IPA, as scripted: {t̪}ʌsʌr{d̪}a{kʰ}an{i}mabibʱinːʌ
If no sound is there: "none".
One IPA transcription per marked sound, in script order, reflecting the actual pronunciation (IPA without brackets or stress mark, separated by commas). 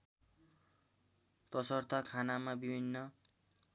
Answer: t̪, t̪, kʰ, a